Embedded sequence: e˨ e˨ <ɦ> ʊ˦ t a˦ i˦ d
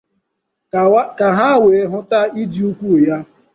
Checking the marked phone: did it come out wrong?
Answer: no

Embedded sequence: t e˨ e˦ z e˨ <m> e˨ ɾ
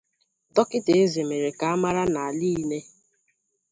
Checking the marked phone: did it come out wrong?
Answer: no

